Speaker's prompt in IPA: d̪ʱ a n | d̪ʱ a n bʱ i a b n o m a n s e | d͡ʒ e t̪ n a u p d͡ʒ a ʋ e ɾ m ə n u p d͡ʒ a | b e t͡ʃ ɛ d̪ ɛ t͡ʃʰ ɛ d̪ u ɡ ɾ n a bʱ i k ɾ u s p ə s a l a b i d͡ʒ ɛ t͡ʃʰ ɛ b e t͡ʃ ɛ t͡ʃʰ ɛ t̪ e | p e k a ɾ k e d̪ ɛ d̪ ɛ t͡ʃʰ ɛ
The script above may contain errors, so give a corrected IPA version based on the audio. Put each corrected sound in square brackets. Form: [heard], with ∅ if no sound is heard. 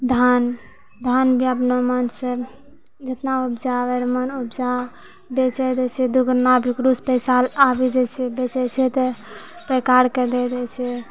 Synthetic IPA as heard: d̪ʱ a n | d̪ʱ a n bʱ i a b n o m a n s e | d͡ʒ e t̪ n a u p d͡ʒ a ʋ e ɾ m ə n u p d͡ʒ a | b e t͡ʃ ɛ d̪ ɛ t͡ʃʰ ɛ d̪ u ɡ ɾ n a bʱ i k ɾ u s p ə s a l a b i d͡ʒ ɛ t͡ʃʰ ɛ b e t͡ʃ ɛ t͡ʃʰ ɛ t̪ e | p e k a ɾ k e d̪ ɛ d̪ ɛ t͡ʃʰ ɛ